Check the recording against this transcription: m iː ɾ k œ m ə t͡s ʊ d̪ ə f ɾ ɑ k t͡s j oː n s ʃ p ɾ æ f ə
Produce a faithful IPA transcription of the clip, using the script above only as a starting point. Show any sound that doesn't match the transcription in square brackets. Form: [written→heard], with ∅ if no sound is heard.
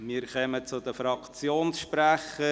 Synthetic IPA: m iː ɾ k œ m ə t͡s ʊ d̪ ə f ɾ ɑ k t͡s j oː n s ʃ p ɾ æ [f→χ] ə